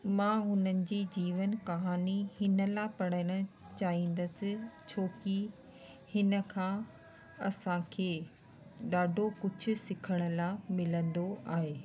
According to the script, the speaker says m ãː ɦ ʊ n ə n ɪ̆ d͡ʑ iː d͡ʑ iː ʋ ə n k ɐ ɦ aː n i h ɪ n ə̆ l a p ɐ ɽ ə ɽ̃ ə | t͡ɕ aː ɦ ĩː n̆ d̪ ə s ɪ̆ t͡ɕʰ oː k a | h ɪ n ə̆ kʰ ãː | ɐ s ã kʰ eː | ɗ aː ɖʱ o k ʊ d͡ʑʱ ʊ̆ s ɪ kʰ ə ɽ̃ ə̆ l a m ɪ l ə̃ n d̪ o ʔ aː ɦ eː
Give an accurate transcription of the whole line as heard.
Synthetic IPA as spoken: m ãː ɦ ʊ n ə n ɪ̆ d͡ʑ iː d͡ʑ iː ʋ ə n k ɐ ɦ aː n i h ɪ n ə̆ l a p ɐ ɽ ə ɽ̃ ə | t͡ɕ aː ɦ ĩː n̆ d̪ ə s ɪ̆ t͡ɕʰ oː k i | h ɪ n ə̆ kʰ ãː | ɐ s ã kʰ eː | ɗ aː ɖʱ o k ʊ d͡ʑʱ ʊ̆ s ɪ kʰ ə ɽ̃ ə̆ l a m ɪ l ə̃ n d̪ o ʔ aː ɦ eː